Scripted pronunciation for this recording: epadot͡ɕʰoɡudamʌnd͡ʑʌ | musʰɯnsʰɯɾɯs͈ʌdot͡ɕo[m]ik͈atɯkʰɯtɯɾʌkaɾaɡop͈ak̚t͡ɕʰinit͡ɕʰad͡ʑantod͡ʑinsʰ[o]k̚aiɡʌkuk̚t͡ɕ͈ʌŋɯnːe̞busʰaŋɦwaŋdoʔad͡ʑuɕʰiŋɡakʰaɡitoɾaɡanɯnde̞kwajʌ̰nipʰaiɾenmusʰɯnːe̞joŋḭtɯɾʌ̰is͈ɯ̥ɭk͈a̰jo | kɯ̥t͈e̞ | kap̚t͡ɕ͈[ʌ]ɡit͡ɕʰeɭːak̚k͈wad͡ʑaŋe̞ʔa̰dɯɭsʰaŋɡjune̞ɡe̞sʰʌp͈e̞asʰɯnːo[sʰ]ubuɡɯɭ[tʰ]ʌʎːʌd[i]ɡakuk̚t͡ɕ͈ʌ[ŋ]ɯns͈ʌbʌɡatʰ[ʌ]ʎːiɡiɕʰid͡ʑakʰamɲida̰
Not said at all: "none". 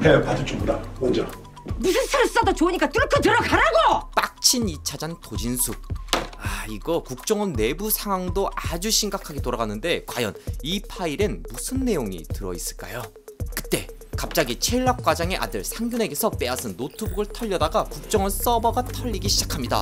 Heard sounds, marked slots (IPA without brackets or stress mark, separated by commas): ɲ, u, a, tʰ, tʰ, a, ŋ, ʌ